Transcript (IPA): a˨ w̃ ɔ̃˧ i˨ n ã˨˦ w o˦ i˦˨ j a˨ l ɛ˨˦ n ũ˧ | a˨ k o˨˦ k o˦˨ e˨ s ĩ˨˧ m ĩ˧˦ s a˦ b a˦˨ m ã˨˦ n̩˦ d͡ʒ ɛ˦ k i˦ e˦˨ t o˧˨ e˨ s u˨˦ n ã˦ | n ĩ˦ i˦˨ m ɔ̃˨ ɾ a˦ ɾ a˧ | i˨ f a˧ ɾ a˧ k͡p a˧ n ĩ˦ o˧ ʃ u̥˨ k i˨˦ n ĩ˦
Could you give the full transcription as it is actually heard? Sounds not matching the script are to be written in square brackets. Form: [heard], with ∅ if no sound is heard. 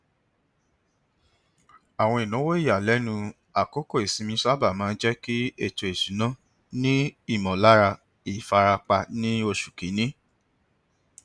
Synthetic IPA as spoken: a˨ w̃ ɔ̃˧ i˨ n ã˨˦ w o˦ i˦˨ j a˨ l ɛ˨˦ n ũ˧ | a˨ k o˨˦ k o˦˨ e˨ s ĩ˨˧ m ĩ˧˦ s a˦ b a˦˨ m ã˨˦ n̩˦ d͡ʒ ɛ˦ k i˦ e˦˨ t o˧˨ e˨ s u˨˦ n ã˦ | n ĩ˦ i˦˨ m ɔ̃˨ [l] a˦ ɾ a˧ | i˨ f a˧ ɾ a˧ k͡p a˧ n ĩ˦ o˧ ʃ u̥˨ k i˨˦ n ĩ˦